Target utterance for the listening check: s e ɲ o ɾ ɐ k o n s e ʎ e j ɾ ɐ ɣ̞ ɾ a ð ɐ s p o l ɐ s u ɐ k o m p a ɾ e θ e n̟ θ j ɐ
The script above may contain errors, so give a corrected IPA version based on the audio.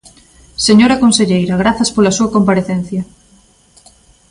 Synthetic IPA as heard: s e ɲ o ɾ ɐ k o n s e ʎ e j ɾ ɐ ɣ̞ ɾ a θ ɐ s p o l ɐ s u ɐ k o m p a ɾ e θ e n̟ θ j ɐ